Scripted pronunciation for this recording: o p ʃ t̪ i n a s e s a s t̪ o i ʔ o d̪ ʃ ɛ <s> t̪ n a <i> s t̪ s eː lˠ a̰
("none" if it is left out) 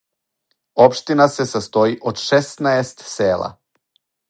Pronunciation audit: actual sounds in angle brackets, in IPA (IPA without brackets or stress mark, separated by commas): s, e